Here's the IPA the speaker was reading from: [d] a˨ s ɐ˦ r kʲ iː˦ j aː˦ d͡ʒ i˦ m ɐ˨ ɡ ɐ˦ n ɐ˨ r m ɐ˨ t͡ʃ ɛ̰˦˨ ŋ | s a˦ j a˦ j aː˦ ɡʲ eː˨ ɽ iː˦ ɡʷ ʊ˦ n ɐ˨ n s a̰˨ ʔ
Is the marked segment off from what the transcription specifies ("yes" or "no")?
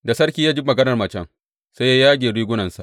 no